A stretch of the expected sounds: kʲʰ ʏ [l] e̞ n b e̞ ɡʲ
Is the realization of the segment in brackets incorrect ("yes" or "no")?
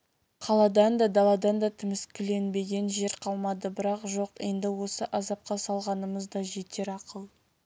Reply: no